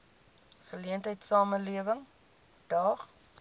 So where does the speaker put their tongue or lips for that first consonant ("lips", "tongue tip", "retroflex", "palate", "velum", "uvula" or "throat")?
uvula